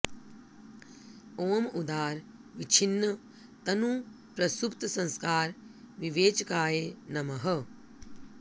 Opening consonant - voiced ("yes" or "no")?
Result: yes